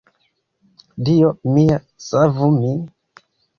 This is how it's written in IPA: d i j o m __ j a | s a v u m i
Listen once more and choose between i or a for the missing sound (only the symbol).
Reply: i